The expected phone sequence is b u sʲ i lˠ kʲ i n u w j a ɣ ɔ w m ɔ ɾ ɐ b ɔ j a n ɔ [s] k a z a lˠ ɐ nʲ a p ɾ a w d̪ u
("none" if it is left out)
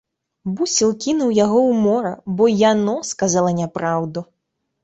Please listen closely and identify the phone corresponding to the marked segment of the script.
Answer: s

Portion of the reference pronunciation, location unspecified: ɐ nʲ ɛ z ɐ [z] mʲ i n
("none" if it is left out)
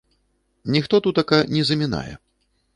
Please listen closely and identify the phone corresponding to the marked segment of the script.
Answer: none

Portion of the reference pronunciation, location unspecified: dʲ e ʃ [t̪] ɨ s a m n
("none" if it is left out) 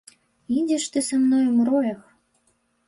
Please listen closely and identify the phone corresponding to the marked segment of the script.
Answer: t̪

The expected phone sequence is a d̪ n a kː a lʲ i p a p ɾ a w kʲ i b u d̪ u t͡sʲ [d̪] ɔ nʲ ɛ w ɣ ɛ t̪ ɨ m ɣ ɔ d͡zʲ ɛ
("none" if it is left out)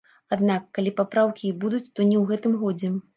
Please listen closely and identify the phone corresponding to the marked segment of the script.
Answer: t̪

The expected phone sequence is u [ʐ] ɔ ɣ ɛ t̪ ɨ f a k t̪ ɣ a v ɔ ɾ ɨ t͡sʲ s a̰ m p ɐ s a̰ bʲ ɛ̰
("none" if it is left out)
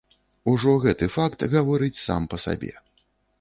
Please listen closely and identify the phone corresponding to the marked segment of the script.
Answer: ʐ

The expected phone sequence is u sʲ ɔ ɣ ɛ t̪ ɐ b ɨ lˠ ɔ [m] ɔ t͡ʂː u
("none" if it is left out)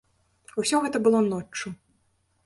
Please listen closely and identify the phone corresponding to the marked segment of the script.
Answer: n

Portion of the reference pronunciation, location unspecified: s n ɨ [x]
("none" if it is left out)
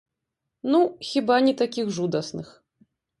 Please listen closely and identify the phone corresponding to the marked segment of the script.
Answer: x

